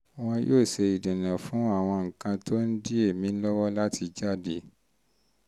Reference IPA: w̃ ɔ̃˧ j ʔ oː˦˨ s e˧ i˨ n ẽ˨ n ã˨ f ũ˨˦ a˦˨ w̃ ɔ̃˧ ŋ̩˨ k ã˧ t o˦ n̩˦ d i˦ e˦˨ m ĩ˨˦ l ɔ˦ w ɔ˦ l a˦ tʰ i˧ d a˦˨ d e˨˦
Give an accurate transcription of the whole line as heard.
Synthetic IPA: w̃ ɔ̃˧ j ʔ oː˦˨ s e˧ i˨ d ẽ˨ n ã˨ f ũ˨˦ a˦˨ w̃ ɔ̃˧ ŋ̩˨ k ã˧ t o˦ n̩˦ d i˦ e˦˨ m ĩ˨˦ l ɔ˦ w ɔ˦ l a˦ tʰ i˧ d͡ʒ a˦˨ d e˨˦